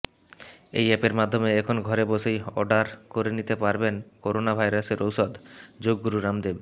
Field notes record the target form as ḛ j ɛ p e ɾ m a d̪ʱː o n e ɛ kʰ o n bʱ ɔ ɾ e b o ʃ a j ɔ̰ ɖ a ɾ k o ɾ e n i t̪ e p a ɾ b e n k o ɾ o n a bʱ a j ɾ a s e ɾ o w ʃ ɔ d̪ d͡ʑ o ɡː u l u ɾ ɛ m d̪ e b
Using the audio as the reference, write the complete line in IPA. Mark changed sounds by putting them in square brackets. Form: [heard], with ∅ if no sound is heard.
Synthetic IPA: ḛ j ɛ p e ɾ m a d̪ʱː o [m] e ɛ kʰ o n [ɡʱ] ɔ ɾ e b o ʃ [e] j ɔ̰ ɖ a ɾ k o ɾ e n i t̪ e p a ɾ b e n k o ɾ o n a bʱ a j ɾ a s e ɾ o w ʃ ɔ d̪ d͡ʑ o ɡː u [ɾ] u ɾ [a] m d̪ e b